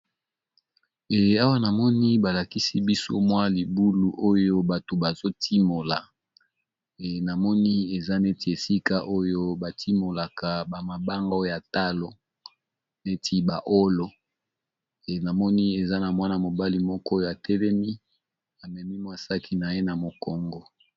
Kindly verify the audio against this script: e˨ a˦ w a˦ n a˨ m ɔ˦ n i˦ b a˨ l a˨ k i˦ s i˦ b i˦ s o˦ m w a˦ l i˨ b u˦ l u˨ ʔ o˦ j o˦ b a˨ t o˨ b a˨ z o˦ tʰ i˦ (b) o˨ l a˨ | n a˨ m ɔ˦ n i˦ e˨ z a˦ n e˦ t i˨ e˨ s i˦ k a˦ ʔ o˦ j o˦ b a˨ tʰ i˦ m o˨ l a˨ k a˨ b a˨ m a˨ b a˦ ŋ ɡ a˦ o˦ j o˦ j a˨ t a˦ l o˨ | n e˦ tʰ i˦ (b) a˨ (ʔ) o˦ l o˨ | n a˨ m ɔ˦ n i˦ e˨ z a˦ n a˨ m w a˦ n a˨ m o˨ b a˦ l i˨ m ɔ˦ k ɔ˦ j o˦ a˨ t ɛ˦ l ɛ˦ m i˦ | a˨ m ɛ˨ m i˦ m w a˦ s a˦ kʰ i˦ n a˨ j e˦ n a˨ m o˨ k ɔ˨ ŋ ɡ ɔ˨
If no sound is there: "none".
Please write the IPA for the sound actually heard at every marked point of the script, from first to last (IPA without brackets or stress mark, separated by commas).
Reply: m, b, ʔ